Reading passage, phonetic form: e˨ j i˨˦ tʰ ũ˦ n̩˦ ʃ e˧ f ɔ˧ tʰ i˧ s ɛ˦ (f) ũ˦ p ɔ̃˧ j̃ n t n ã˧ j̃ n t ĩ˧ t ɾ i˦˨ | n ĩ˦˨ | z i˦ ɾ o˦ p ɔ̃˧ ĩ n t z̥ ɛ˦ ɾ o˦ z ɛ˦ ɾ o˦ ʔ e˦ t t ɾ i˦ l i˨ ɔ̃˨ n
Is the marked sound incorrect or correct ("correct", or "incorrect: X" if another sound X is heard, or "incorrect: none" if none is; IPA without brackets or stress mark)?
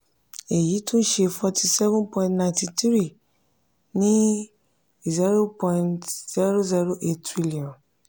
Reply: incorrect: v